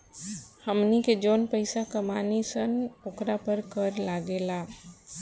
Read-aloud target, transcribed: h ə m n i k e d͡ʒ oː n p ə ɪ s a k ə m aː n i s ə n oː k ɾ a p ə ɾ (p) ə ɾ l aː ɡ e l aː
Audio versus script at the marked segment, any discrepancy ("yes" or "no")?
yes